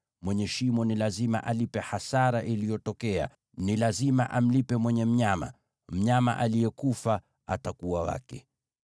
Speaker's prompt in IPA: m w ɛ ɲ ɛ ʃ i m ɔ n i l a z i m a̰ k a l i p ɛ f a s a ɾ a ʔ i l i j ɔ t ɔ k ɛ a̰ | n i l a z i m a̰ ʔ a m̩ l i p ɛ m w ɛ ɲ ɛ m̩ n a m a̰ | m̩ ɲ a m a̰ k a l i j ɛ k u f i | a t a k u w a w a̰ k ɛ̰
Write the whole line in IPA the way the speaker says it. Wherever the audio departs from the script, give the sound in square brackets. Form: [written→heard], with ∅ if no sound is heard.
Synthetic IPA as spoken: m w ɛ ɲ ɛ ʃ i m ɔ n i l a z i m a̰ [k→ʔ] a l i p ɛ [f→h] a s a ɾ a ʔ i l i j ɔ t ɔ k ɛ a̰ | n i l a z i m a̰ ʔ a m̩ l i p ɛ m w ɛ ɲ ɛ m̩ [n→ɲ] a m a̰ | m̩ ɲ a m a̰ [k→ʔ] a l i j ɛ k u f [i→a] | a t a k u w a w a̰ k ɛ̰